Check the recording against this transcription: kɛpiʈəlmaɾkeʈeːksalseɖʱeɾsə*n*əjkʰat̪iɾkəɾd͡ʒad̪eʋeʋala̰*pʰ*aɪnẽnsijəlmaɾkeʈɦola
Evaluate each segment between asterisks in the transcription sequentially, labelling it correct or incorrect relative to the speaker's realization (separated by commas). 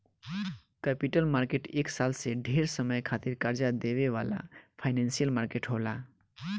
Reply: incorrect, correct